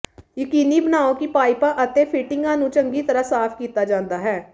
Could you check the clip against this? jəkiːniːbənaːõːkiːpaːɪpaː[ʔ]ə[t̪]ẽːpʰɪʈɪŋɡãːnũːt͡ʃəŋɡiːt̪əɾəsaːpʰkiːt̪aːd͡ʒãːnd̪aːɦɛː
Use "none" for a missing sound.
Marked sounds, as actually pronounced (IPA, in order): ʔ, t̪

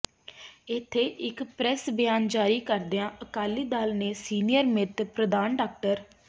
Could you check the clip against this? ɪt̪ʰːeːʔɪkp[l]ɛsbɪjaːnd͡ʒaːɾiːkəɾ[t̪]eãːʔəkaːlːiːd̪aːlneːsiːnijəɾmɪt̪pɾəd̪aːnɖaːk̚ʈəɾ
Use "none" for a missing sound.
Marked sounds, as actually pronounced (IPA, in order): ɾ, d̪

